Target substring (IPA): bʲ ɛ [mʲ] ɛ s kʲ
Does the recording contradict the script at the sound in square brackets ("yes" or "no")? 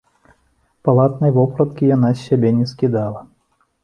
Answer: yes